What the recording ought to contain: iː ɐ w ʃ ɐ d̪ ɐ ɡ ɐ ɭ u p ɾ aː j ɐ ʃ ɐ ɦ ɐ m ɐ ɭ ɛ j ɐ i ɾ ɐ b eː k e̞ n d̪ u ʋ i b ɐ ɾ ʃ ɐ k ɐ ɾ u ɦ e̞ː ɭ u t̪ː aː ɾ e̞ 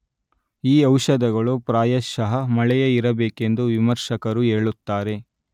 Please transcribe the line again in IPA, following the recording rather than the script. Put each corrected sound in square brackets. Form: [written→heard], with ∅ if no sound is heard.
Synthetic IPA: iː ɐ w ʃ ɐ d̪ ɐ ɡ ɐ ɭ u p ɾ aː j ɐ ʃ ɐ ɦ ɐ m ɐ ɭ ɛ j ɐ i ɾ ɐ b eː k e̞ n d̪ u ʋ i [b→m] ɐ ɾ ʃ ɐ k ɐ ɾ u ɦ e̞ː ɭ u t̪ː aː ɾ e̞